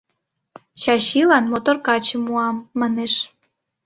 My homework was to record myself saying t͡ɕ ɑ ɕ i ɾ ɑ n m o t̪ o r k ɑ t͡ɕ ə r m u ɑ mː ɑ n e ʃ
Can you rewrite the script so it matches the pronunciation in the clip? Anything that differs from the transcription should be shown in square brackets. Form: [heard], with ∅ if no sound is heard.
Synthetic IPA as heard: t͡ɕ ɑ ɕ i [l] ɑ n m o t̪ o r k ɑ t͡ɕ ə [∅] m u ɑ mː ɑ n e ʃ